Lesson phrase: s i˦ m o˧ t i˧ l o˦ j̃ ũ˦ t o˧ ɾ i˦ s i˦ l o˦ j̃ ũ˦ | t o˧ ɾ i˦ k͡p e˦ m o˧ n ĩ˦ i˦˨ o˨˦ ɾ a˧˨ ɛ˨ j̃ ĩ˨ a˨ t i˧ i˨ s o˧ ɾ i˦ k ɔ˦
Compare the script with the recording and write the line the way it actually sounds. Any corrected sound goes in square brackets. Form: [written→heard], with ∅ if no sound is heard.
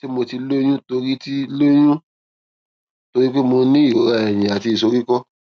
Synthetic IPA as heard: [s→t] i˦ m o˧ t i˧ l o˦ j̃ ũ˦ t o˧ ɾ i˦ [s→t] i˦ l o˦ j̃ ũ˦ | t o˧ ɾ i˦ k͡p e˦ m o˧ n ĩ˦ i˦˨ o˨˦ ɾ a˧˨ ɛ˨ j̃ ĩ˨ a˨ t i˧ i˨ s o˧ ɾ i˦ k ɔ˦